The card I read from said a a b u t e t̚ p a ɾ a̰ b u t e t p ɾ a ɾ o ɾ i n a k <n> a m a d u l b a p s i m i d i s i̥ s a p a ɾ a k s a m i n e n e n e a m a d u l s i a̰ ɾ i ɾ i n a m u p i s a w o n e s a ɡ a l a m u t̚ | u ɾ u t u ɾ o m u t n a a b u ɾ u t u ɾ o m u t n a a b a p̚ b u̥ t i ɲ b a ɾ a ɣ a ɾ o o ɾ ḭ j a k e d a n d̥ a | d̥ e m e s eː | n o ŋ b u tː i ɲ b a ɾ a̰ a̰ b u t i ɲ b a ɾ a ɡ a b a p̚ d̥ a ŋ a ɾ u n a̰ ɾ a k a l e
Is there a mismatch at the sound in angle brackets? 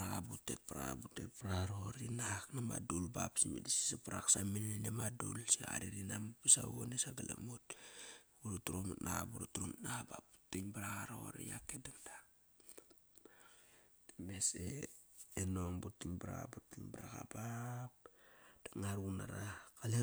no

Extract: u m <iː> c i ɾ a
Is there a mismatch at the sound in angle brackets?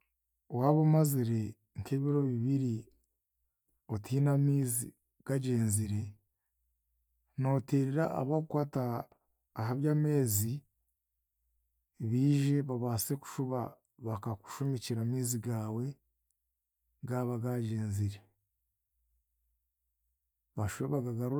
yes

